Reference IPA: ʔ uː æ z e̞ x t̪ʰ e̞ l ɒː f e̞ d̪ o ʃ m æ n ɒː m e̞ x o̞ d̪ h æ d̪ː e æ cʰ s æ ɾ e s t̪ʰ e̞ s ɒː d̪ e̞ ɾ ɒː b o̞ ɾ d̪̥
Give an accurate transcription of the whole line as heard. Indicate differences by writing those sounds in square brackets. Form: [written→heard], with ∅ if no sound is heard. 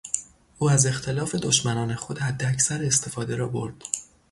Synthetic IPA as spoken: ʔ uː æ z e̞ x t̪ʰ e̞ l ɒː f e̞ d̪ o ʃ m æ n ɒː [m→n] e̞ x o̞ d̪ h æ d̪ː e æ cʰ s æ ɾ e s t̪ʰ e̞ [s→f] ɒː d̪ e̞ ɾ ɒː b o̞ ɾ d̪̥